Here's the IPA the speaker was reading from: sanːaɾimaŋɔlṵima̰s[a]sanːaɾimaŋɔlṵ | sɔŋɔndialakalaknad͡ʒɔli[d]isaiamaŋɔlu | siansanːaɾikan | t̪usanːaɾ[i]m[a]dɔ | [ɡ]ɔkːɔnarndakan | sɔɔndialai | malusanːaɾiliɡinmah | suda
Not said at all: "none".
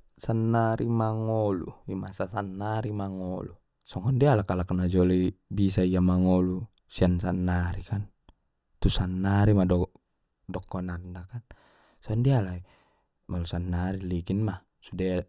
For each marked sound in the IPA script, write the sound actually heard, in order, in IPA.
a, b, i, a, d

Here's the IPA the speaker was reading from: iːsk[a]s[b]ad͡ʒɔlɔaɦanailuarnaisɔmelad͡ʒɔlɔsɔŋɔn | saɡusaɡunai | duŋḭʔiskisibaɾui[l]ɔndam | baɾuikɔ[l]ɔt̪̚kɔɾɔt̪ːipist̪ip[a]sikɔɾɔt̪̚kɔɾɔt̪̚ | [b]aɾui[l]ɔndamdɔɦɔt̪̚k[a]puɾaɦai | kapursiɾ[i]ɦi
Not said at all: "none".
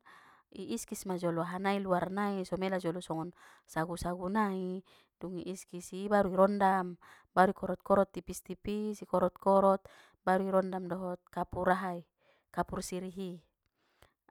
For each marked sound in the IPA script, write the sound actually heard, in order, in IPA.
i, m, ɾ, ɾ, i, b, ɾ, a, i

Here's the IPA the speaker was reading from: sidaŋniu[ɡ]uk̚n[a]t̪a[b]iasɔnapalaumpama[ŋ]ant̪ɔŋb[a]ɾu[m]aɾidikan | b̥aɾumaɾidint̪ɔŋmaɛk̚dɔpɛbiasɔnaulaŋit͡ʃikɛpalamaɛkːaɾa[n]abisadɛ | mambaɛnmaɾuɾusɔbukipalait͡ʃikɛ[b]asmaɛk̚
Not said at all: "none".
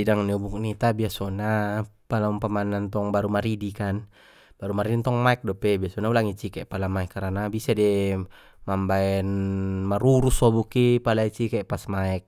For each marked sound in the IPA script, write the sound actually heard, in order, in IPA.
b, i, b, n, a, m, n, p

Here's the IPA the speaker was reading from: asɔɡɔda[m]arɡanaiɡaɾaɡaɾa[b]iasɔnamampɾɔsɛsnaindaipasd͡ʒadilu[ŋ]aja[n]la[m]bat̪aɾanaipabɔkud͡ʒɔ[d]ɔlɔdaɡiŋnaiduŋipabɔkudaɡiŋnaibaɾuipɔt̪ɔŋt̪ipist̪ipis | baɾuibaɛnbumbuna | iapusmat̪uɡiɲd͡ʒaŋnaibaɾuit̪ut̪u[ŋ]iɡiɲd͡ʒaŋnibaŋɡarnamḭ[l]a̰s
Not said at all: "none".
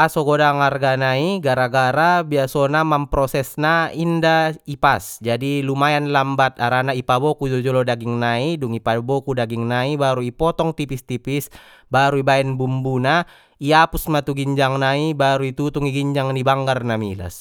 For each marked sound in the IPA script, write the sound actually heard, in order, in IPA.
ŋ, b, m, n, m, d͡ʒ, ŋ, l

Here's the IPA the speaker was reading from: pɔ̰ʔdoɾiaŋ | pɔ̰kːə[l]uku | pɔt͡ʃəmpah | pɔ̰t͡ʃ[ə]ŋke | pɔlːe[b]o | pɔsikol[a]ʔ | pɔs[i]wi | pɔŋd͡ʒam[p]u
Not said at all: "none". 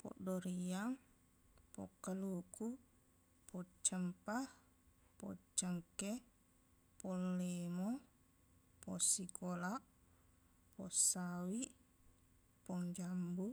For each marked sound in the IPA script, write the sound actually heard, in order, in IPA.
l, ə, m, a, a, b

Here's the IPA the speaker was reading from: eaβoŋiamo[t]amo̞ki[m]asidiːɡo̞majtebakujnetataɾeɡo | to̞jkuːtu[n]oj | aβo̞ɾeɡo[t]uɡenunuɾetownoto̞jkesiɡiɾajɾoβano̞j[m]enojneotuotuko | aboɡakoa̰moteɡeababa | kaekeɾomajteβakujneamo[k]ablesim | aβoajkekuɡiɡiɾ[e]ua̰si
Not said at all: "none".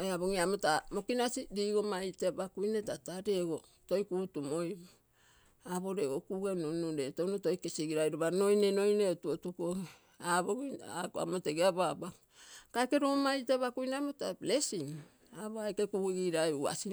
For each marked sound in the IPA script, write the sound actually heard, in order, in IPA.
t, n, m, k, n, t, a

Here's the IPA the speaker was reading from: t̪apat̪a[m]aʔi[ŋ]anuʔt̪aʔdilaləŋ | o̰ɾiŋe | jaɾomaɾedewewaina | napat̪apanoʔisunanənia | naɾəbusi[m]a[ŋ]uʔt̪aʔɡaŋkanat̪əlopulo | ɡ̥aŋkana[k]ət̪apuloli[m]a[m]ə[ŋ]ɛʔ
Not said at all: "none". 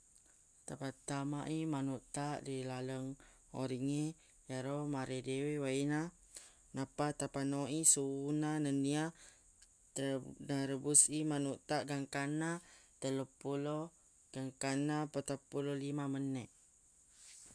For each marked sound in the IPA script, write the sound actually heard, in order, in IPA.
m, m, m, n, p, m, m, n

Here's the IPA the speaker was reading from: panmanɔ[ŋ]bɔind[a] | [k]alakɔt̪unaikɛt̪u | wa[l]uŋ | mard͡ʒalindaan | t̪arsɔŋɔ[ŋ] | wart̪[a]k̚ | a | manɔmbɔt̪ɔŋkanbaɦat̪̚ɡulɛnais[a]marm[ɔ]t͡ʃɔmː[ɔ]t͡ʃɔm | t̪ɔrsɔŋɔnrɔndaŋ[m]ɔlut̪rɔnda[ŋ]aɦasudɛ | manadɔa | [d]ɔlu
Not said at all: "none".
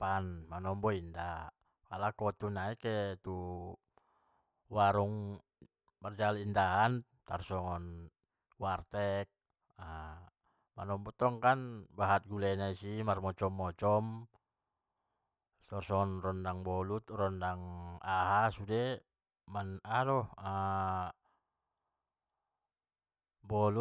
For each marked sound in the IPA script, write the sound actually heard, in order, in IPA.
m, a, k, ɾ, n, ɛ, i, ɔ, ɔ, b, ŋ, b

